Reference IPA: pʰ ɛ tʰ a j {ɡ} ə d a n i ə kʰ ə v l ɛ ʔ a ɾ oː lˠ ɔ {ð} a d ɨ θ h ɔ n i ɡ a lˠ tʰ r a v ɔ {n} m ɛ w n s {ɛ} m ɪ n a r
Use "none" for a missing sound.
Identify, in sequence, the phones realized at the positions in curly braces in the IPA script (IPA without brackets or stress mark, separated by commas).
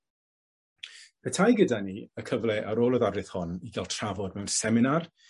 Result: ɡ, ð, d, ɛ